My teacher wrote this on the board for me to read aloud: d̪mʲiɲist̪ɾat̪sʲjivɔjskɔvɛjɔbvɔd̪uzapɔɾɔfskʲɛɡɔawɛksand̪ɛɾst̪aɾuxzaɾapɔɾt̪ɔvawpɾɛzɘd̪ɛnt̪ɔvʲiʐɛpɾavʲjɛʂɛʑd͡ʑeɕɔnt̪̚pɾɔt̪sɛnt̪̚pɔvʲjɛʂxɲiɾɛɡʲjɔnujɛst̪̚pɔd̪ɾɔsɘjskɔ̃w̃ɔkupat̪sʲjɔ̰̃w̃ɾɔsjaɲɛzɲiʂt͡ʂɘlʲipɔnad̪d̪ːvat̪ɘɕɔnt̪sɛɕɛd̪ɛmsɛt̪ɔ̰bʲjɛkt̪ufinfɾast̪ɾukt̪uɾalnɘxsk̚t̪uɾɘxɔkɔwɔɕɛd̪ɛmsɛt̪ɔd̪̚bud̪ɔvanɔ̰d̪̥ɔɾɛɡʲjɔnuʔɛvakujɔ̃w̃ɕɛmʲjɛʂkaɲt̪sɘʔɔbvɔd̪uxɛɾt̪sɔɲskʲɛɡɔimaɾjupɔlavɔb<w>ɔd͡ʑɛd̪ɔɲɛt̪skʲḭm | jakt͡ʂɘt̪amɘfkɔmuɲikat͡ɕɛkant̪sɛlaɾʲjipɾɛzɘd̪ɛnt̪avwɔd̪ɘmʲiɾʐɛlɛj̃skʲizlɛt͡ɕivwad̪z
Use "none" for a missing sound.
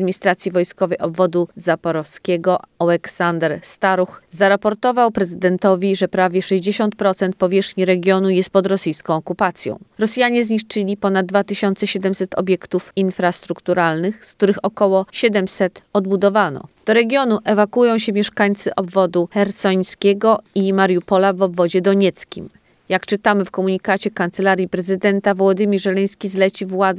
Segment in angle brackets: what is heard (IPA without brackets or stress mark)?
v